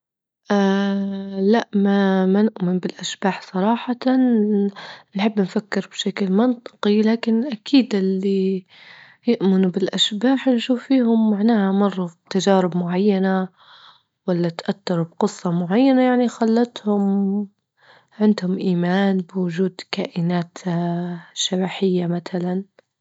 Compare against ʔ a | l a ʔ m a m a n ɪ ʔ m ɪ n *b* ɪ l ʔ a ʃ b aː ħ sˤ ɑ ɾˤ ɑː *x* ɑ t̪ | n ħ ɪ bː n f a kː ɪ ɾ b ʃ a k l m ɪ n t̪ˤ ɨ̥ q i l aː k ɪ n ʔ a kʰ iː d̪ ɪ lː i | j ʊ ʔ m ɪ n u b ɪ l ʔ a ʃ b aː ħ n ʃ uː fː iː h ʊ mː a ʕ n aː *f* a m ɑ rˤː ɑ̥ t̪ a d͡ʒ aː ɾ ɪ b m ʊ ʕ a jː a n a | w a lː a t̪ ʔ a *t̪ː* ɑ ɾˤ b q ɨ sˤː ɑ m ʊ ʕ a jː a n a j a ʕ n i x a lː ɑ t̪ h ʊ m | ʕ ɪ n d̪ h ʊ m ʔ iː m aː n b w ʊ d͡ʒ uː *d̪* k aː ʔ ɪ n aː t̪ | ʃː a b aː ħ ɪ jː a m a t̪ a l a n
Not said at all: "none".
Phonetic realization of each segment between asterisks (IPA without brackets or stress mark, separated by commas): b, ħ, h, t̪ː, d̪